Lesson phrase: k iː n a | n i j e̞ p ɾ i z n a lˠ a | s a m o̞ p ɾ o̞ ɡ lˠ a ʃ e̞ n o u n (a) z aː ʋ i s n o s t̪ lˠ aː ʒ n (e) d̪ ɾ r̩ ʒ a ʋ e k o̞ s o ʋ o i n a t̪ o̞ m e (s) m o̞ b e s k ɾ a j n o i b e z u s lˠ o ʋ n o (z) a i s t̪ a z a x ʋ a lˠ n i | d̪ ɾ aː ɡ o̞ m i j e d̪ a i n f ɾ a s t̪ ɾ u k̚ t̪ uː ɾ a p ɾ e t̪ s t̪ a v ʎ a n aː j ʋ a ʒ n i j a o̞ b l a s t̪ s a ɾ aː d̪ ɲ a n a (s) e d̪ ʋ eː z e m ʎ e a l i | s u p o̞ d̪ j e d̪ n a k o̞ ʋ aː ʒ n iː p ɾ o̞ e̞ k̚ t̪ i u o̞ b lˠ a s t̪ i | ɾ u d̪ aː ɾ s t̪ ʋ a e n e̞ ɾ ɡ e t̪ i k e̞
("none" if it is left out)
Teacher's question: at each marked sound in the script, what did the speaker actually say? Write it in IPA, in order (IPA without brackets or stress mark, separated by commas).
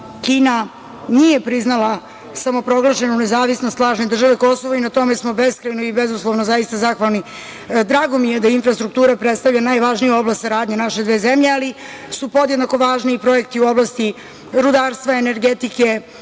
e, e, s, z, ʃ